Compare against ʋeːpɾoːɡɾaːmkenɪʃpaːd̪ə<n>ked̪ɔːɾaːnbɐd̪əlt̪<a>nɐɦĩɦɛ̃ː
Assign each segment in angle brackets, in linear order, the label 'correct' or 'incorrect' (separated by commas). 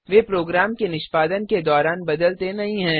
correct, incorrect